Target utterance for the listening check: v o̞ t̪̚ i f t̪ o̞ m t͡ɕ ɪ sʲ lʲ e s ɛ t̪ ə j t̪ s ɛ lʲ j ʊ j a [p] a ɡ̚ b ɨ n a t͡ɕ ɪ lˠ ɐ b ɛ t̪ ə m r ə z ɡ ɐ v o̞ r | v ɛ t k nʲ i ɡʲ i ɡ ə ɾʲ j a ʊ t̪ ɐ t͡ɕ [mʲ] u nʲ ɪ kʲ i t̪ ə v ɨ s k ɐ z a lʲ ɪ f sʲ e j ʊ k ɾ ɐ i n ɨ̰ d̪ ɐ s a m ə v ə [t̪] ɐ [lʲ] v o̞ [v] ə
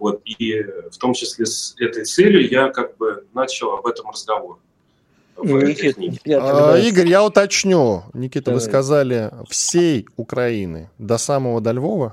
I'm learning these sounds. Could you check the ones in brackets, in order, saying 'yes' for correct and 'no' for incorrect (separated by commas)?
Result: no, no, no, yes, yes